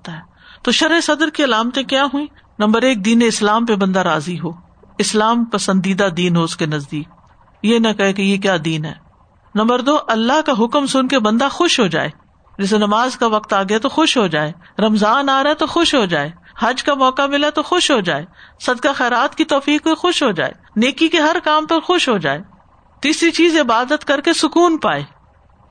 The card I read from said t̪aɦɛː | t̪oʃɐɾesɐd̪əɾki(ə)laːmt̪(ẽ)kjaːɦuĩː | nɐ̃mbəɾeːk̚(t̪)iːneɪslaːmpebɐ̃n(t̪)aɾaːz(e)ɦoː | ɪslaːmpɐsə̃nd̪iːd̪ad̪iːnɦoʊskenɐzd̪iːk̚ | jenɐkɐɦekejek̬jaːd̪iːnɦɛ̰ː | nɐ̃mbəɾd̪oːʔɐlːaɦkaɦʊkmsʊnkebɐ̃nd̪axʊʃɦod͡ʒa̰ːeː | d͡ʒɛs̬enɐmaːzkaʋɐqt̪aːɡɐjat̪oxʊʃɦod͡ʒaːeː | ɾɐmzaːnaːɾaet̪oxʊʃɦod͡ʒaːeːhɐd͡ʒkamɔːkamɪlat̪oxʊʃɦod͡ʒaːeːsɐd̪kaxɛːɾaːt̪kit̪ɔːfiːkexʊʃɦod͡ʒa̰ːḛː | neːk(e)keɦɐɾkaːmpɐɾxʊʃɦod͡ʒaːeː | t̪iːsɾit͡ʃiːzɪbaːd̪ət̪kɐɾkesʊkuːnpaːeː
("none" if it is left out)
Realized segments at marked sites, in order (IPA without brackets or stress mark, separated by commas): ɐ, ẽ, d̪, d̪, i, i